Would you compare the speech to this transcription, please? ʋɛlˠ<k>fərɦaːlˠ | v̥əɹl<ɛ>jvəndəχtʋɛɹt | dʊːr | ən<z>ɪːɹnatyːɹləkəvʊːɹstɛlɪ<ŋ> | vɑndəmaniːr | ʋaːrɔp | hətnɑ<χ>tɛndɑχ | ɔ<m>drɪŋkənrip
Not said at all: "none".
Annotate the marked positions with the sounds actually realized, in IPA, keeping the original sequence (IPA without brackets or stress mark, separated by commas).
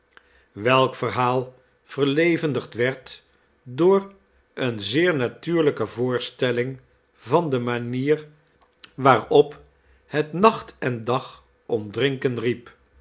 k, e, z, ŋ, χ, m